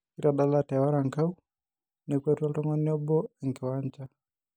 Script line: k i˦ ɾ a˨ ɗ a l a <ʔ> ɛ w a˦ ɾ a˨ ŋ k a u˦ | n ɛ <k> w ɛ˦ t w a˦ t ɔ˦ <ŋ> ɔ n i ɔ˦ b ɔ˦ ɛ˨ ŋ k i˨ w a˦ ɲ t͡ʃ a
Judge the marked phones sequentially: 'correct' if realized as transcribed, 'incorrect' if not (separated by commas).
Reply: incorrect, correct, correct